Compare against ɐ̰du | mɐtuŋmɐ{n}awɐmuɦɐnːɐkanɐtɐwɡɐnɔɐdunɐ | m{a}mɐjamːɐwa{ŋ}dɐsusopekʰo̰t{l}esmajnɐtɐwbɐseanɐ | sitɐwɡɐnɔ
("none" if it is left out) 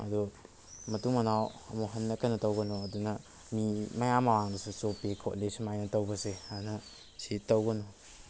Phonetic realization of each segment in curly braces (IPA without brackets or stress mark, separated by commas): n, i, ŋ, l